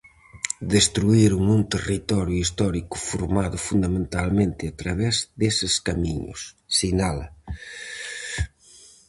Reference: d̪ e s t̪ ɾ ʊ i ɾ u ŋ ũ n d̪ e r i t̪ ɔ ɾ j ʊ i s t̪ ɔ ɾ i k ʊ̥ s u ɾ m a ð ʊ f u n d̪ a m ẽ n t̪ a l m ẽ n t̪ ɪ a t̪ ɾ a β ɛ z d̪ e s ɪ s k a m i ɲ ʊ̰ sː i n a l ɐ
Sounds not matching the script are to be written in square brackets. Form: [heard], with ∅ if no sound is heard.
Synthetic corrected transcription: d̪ e s t̪ ɾ [u] i ɾ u ŋ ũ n [t̪] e r i t̪ ɔ ɾ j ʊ i s t̪ ɔ ɾ i k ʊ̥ [f] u ɾ m a ð ʊ f u n d̪ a m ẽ n t̪ a l m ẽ n t̪ ɪ a t̪ ɾ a β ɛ z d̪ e s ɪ s k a m i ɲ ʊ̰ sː i n a l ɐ